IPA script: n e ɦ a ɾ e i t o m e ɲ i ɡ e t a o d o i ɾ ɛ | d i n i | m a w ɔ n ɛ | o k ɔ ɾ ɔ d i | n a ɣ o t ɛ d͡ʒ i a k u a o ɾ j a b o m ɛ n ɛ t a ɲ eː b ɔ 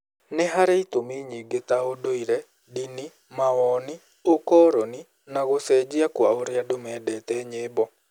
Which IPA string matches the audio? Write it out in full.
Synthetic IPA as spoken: n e ɦ a ɾ e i t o m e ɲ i ɡ e t a o d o i ɾ ɛ | d i n i | m a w ɔ n i | o k ɔ ɾ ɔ n i | n a ɣ o s ɛ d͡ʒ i a k w a o ɾ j a d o m ɛ d ɛ t ɛ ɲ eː b ɔ